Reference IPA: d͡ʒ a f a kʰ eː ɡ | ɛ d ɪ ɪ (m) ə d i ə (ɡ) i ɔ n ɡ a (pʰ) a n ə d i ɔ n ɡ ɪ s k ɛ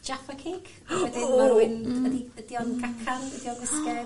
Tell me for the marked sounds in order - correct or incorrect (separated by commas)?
incorrect, incorrect, incorrect